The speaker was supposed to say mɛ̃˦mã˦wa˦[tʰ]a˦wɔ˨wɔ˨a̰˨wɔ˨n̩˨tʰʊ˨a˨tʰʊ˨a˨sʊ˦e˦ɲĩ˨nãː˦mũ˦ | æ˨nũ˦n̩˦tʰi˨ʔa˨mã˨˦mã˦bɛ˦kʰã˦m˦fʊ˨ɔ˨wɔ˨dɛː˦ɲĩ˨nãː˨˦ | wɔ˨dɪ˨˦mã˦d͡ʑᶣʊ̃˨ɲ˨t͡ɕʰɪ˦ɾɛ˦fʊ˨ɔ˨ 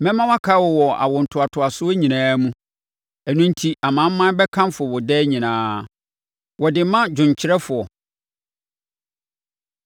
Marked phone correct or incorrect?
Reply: incorrect